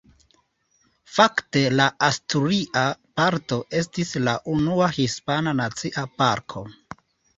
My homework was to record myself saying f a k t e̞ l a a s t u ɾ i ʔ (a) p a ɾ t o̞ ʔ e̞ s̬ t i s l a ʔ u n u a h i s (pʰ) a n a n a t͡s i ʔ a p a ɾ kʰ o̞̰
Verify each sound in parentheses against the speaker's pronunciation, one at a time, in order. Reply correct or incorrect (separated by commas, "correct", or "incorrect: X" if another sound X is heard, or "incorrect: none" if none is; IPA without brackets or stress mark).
correct, incorrect: p